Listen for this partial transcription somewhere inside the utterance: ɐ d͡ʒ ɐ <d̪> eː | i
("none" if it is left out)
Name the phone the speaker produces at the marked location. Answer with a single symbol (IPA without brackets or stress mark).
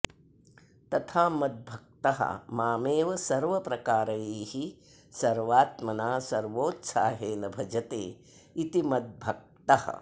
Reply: t̪